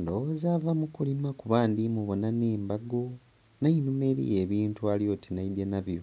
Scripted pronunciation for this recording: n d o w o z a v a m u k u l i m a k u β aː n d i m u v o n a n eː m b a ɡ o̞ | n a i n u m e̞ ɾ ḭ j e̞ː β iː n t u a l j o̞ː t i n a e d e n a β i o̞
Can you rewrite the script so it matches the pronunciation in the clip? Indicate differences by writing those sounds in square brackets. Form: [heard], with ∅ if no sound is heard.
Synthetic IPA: n d o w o z a v a m u k u l i m a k u β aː n d i m u [β] o n a n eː m b a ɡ o̞ | n a i n u m e̞ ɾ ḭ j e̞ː β iː n t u a l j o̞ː t i n a [i] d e n a β [j] o̞